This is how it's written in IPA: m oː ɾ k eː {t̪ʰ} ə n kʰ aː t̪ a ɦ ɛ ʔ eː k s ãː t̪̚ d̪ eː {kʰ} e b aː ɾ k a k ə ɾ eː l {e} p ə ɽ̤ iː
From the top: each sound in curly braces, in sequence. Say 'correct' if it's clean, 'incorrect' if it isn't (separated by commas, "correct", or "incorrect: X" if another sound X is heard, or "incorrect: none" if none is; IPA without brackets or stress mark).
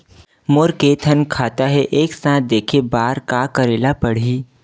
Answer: correct, correct, incorrect: a